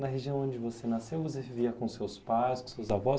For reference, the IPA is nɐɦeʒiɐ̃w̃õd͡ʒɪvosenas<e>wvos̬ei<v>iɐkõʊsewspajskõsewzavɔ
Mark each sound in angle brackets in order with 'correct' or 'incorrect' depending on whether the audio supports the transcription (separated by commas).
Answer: correct, correct